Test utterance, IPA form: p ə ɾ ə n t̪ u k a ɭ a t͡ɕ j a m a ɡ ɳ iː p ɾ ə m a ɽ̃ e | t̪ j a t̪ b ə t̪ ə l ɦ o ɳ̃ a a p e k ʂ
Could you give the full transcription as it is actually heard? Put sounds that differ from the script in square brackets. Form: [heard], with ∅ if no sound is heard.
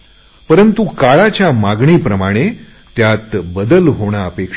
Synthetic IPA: p ə ɾ ə n t̪ u k a ɭ a t͡ɕ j a m a ɡ ɳ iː p ɾ ə m a ɽ̃ e | t̪ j a t̪ b ə [d̪] ə l ɦ o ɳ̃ a [ə] p e k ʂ